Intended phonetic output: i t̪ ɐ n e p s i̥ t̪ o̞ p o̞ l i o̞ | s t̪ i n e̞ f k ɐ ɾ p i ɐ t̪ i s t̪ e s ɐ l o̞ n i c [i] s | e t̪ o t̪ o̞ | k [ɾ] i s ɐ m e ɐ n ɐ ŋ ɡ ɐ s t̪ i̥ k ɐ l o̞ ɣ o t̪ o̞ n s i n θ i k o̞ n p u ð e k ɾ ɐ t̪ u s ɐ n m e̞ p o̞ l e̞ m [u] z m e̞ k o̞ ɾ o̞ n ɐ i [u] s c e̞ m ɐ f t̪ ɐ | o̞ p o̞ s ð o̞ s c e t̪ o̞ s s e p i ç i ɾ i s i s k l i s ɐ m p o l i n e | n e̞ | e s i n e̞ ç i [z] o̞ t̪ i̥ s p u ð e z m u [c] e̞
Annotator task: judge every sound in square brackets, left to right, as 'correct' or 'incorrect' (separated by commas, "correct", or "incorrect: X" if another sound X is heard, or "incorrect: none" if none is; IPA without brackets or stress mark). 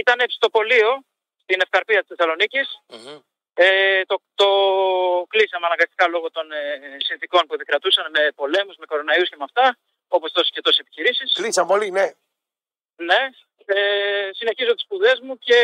correct, incorrect: l, correct, correct, correct, correct